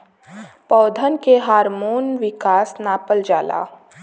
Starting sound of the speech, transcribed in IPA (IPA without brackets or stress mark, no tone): p